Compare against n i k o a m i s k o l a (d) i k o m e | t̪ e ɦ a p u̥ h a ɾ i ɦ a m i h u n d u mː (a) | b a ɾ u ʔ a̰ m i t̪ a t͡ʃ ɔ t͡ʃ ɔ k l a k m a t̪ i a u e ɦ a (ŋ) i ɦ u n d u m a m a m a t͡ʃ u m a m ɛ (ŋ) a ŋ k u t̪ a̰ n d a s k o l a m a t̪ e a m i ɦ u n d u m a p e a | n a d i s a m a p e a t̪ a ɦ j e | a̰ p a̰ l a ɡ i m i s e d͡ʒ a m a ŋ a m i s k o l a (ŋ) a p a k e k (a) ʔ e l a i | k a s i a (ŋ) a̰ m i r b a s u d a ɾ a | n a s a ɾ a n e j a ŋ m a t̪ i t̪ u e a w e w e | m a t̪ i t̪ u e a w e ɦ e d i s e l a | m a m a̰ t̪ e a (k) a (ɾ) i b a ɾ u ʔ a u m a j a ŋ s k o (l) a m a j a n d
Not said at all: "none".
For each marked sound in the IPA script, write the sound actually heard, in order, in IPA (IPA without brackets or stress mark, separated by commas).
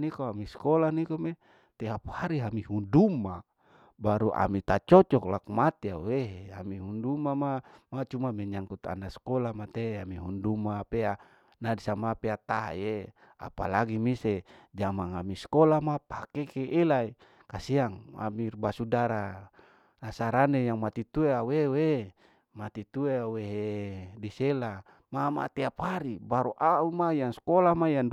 n, a, m, ɲ, m, e, ŋ, p, ɾ, l